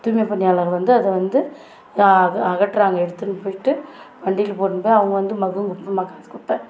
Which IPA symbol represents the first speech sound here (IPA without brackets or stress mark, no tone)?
t̪